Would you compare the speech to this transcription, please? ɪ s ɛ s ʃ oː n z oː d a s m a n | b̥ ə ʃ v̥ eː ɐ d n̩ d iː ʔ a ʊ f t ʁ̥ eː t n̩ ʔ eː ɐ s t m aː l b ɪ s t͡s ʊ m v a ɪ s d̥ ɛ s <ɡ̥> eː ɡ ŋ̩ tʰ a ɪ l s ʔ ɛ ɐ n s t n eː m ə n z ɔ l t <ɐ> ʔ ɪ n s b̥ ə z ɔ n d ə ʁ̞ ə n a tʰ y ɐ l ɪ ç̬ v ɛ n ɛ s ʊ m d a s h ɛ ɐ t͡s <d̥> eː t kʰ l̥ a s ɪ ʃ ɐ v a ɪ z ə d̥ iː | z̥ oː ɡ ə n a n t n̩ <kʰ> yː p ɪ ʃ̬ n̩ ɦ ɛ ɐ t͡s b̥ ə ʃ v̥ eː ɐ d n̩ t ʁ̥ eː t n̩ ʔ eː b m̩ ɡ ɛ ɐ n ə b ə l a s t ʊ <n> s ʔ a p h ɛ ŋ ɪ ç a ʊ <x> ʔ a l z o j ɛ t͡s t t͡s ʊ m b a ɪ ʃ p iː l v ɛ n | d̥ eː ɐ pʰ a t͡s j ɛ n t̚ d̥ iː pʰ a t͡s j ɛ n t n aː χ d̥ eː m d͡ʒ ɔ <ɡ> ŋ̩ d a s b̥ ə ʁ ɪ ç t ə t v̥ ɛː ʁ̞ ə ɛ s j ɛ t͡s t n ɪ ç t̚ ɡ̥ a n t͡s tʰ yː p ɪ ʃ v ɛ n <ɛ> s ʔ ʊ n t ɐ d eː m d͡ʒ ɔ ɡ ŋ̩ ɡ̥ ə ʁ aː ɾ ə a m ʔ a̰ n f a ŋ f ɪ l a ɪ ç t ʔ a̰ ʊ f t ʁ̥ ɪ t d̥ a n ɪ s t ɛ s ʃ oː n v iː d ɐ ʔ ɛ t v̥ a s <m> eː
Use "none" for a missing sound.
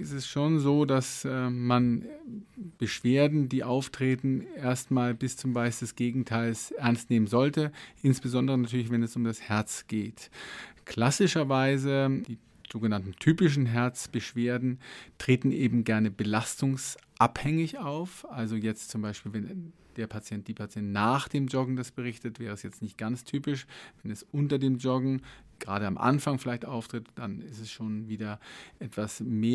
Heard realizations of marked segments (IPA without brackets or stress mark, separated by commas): ɡ̥, ə, ɡ̥, tʰ, ŋ, f, ɡ, ɛ, m